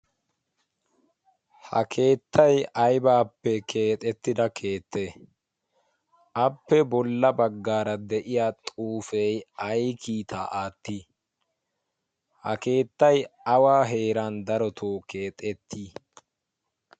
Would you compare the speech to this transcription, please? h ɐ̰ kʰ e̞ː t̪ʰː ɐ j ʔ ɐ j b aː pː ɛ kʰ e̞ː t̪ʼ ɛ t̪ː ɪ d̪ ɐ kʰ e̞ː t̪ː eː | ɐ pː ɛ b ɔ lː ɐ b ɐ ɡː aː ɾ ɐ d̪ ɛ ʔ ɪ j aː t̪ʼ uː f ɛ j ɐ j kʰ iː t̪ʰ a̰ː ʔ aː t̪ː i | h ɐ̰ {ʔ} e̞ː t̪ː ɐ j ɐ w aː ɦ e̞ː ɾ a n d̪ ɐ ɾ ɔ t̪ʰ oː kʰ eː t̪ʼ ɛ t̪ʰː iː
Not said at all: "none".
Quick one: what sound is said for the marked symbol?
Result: k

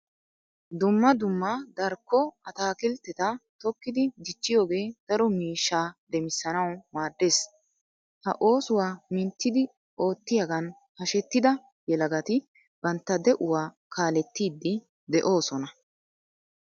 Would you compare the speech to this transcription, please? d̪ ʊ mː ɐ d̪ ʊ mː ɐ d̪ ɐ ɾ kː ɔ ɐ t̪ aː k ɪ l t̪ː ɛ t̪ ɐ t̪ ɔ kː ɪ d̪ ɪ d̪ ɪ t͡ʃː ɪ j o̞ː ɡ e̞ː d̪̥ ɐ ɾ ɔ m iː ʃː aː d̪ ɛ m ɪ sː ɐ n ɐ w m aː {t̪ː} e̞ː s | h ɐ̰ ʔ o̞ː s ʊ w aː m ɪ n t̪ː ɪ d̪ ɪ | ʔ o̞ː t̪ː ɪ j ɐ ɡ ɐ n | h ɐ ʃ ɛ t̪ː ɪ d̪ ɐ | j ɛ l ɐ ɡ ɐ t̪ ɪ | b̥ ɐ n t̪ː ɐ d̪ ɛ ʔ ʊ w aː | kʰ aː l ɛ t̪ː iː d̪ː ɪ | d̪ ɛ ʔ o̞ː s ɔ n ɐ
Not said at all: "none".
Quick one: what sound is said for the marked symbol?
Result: d̪ː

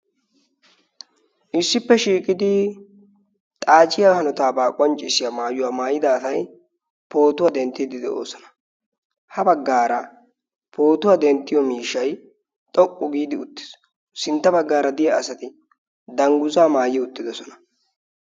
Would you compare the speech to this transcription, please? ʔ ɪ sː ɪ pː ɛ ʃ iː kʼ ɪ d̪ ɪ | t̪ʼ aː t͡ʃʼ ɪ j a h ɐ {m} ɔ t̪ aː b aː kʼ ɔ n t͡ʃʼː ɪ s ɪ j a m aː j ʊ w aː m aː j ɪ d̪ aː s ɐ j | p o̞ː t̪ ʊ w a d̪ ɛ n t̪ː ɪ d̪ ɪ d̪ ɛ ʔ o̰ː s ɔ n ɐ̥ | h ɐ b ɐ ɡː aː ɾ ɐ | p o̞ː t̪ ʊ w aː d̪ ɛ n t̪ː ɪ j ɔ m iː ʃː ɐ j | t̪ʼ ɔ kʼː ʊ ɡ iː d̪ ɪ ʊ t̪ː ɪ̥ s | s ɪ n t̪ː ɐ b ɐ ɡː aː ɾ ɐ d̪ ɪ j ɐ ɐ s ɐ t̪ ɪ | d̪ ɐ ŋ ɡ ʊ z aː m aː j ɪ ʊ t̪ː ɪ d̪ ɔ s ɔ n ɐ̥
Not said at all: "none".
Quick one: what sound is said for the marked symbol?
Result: n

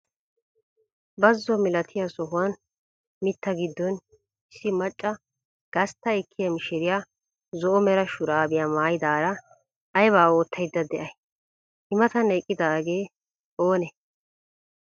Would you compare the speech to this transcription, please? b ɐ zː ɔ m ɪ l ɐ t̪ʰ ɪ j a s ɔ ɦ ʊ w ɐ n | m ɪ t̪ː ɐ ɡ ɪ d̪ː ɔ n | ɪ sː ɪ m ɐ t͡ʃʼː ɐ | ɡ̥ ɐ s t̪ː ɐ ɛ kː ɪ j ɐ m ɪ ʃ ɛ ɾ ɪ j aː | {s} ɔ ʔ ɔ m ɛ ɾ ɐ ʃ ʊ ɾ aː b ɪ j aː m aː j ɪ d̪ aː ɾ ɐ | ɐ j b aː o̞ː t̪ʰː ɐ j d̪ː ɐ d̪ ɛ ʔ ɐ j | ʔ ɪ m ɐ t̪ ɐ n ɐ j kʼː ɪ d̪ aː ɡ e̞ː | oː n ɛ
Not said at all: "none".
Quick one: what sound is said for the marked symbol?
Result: z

